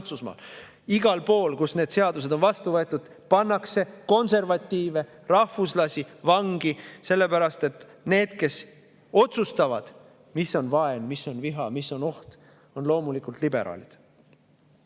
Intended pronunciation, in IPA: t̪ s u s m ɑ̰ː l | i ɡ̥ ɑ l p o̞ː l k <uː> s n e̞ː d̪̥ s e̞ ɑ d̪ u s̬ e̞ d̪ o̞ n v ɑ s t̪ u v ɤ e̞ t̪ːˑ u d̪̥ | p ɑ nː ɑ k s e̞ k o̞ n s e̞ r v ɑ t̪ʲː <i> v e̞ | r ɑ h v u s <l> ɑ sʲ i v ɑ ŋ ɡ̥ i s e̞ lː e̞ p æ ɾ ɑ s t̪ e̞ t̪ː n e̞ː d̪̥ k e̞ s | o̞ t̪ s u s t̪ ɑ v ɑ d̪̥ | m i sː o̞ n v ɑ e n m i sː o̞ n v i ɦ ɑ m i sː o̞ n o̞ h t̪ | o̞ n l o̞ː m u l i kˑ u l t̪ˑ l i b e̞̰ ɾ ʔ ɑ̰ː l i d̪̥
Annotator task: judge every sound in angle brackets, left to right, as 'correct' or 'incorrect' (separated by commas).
incorrect, incorrect, correct